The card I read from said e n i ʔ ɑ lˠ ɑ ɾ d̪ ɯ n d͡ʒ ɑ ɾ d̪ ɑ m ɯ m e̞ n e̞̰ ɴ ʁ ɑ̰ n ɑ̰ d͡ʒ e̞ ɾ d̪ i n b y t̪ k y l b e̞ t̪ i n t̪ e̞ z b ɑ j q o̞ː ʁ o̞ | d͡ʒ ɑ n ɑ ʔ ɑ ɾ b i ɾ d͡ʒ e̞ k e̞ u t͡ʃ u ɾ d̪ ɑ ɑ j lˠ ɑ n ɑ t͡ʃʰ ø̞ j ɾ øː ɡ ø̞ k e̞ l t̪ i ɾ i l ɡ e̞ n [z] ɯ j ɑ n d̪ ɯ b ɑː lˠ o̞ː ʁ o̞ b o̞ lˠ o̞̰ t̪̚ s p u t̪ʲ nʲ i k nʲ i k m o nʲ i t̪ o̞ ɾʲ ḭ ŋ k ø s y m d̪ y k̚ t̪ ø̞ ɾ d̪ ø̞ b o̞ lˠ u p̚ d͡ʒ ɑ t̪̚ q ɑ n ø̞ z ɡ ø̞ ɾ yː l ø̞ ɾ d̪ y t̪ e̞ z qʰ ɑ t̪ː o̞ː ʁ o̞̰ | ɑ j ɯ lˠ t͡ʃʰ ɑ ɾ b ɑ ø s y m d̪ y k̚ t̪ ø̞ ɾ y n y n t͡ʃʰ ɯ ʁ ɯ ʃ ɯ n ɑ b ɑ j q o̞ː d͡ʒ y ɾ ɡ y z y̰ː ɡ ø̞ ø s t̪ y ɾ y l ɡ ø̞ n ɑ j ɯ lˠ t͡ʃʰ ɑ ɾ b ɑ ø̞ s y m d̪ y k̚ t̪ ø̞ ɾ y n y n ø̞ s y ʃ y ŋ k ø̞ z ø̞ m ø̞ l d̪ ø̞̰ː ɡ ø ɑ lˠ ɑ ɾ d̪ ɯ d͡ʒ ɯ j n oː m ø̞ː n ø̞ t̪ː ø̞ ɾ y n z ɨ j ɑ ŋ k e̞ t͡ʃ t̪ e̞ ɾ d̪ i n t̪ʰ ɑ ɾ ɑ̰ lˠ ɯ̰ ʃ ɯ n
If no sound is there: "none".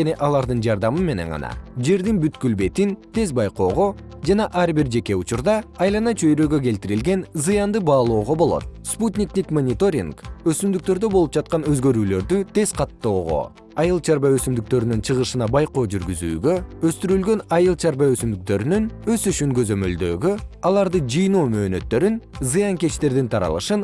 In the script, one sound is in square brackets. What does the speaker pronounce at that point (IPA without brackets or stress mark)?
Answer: z